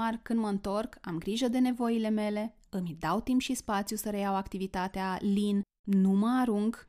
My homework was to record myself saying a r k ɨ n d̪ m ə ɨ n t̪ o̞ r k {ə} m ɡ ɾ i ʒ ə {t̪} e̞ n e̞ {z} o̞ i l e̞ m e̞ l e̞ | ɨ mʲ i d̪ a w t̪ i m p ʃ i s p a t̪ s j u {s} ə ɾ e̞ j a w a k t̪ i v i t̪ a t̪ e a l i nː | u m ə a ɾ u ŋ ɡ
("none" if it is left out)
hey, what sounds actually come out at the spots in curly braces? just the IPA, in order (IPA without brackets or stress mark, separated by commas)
a, d̪, v, s